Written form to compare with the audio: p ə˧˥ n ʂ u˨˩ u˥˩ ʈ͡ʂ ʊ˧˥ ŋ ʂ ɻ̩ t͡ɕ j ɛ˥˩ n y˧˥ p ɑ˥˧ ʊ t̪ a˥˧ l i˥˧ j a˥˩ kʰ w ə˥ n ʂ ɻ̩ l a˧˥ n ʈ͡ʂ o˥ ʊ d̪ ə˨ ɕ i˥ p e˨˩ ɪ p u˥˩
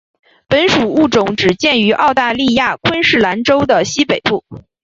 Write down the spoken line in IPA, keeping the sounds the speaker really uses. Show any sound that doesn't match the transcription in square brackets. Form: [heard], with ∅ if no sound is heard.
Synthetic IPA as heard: p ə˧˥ n ʂ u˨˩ u˥˩ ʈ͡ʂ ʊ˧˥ ŋ [ʈ͡ʂ] ɻ̩ t͡ɕ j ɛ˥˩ n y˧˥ [ʔ] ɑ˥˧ ʊ t̪ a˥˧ l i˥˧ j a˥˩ kʰ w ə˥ n ʂ ɻ̩ l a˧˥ n ʈ͡ʂ o˥ ʊ d̪ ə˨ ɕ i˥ p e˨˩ ɪ p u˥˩